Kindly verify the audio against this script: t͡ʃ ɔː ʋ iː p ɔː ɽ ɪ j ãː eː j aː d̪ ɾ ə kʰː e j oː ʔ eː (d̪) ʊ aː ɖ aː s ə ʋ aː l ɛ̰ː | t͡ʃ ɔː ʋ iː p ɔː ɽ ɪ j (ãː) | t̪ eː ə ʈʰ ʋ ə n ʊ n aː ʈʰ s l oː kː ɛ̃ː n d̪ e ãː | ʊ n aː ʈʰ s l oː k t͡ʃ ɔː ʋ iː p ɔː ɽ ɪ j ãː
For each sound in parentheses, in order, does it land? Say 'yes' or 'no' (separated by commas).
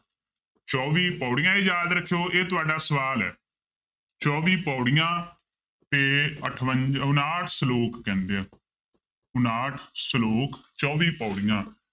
no, yes